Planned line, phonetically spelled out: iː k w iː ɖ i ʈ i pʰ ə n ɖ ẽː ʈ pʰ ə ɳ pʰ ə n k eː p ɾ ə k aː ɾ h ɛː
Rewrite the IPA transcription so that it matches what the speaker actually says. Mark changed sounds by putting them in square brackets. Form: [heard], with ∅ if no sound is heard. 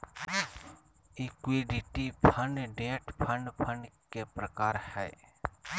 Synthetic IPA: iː k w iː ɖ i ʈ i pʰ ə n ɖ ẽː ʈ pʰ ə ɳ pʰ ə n k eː p ɾ ə k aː ɾ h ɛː

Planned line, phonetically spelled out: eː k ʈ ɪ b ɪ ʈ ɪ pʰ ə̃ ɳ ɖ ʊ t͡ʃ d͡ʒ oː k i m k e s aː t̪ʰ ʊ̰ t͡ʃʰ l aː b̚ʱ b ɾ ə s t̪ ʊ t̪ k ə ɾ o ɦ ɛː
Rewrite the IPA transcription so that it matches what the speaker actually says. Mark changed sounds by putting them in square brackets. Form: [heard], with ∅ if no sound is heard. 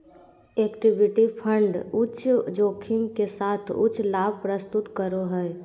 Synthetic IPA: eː k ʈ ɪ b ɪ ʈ [i] pʰ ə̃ ɳ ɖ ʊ t͡ʃ d͡ʒ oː [kʰ] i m k e s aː t̪ʰ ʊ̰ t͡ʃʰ l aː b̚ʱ [p] ɾ ə s t̪ ʊ t̪ k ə ɾ o ɦ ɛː

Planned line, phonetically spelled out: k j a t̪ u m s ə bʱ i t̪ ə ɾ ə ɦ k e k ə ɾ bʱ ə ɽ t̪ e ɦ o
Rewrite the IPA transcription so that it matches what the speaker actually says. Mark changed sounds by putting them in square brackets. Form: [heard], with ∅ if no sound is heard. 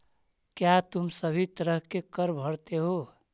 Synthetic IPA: k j a t̪ u m s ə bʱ i t̪ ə ɾ ə ɦ k e k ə ɾ bʱ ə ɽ t̪ e ɦ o

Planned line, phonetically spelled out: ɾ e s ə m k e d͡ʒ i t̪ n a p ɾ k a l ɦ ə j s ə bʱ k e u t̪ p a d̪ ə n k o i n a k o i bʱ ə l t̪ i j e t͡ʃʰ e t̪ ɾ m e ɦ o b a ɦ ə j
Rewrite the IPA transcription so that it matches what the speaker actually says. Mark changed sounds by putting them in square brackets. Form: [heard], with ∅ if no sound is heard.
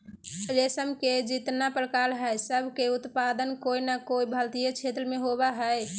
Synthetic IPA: ɾ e s ə m k e d͡ʒ i t̪ n a p ɾ k a l ɦ ə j s ə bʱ k e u t̪ p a d̪ ə n k o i n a k o i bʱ ə l t̪ i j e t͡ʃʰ e t̪ ɾ m e ɦ o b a ɦ ə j

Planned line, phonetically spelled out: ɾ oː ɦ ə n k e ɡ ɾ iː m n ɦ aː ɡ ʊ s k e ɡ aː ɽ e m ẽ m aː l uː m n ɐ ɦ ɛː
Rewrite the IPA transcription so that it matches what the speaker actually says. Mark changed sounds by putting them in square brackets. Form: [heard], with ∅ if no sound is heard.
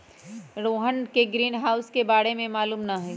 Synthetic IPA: ɾ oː ɦ ə n k e ɡ ɾ iː [∅] n ɦ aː [∅] ʊ s k e [b] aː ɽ e m ẽ m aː l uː m n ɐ ɦ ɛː

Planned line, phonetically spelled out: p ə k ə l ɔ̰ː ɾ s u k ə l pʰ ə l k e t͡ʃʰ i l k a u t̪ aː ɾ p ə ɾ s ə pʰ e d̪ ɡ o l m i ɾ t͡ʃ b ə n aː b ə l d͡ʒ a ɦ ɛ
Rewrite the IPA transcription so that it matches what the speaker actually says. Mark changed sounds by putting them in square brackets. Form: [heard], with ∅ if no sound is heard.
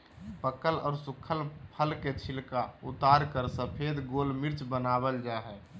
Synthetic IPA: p ə k ə l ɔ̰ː ɾ s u [kʰ] ə l pʰ ə l k e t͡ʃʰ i l k a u t̪ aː ɾ [k] ə ɾ s ə pʰ e d̪ ɡ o l m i ɾ t͡ʃ b ə n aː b ə l d͡ʒ a ɦ ɛ

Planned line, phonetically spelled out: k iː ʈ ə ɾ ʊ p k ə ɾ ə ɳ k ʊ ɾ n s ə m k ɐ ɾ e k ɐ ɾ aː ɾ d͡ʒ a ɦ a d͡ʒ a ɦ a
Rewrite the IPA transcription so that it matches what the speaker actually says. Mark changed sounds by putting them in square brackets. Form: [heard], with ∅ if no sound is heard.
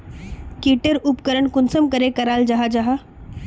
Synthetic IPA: k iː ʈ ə ɾ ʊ p k ə ɾ ə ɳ k ʊ [∅] n s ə m k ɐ ɾ e k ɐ ɾ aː [l] d͡ʒ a ɦ a d͡ʒ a ɦ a

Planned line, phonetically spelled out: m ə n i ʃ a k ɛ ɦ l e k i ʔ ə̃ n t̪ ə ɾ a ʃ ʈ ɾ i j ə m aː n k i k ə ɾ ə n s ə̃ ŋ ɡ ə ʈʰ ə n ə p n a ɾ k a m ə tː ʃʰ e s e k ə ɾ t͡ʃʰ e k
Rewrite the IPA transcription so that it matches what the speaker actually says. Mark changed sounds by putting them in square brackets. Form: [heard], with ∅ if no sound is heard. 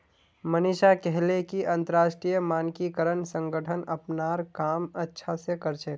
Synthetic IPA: m ə n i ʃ a k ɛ ɦ l e k i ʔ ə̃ n t̪ ə ɾ a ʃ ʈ ɾ i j ə m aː n k i k ə ɾ ə n s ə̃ ŋ ɡ ə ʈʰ ə n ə p n a ɾ k a m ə tː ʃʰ [a] s e k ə ɾ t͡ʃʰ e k

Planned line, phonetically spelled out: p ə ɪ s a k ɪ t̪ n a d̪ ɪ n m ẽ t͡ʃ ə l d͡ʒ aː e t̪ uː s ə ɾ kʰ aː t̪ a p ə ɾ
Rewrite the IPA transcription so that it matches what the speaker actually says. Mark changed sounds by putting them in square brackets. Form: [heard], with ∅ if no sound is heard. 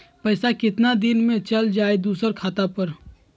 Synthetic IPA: p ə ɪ s a k ɪ t̪ n a d̪ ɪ n m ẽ t͡ʃ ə l d͡ʒ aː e [d̪] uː s ə ɾ kʰ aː t̪ a p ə ɾ

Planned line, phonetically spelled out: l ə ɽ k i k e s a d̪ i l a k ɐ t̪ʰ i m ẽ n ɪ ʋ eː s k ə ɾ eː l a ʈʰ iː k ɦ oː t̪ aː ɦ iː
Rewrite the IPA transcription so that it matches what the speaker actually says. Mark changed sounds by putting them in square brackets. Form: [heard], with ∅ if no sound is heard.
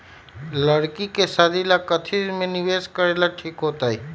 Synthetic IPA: l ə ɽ k i k e s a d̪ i l a k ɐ t̪ʰ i m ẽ n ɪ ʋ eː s k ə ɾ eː l a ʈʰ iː k ɦ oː t̪ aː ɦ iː

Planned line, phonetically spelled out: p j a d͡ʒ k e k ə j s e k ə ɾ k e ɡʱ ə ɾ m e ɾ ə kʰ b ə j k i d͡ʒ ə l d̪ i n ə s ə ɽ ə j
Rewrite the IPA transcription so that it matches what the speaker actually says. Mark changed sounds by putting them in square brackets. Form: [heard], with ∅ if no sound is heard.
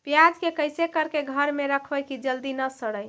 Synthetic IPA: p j a d͡ʒ k e k ə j s e k ə ɾ k e ɡʱ ə ɾ m e ɾ ə kʰ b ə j k i d͡ʒ ə l d̪ i n ə s ə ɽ ə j

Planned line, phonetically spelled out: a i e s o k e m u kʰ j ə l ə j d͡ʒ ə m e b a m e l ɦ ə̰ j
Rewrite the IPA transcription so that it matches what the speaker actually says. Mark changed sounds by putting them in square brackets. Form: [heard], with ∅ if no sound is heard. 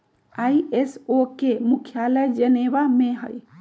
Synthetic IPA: a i e s o k e m u kʰ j [a] l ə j d͡ʒ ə [n] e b a m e [∅] ɦ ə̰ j

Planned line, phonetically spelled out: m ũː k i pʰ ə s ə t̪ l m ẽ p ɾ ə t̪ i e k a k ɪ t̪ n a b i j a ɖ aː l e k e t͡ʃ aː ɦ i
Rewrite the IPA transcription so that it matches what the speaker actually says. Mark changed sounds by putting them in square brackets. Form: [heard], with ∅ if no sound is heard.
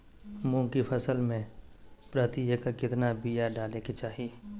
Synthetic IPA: m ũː k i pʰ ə s ə [∅] l m ẽ p ɾ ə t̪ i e k a k ɪ t̪ n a b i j a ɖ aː l e k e t͡ʃ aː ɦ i

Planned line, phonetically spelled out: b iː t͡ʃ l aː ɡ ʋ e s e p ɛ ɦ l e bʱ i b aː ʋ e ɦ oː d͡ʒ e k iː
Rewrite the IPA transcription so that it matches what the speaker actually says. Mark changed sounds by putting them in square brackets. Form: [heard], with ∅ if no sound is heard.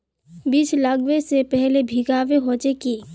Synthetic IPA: b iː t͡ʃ l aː ɡ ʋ e s e p ɛ ɦ l e bʱ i [ɡ] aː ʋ e ɦ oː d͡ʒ e k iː

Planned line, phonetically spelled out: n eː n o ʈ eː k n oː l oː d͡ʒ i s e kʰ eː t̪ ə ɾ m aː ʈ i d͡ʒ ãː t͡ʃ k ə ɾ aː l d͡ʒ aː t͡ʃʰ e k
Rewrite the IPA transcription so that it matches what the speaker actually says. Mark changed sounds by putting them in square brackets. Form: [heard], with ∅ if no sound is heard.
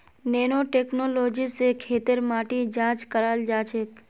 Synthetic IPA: n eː n o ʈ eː k n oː l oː d͡ʒ i s e kʰ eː t̪ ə ɾ m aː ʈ i d͡ʒ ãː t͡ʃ k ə ɾ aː l d͡ʒ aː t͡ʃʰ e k

